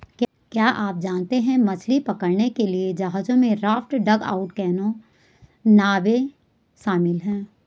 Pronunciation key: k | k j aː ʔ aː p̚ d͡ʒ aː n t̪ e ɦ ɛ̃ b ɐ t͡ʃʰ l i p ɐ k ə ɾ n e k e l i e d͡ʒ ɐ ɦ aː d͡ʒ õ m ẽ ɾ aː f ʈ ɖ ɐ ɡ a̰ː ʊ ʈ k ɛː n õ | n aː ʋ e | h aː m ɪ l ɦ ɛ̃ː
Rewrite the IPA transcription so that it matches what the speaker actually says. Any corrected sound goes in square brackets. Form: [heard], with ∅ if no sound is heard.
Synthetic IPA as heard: k | k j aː ʔ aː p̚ d͡ʒ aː n t̪ e ɦ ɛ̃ [m] ɐ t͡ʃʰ l i p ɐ k ə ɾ n e k e l i e d͡ʒ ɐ ɦ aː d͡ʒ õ m ẽ ɾ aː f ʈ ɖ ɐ ɡ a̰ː ʊ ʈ k ɛː n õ | n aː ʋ e | [ʃ] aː m ɪ l ɦ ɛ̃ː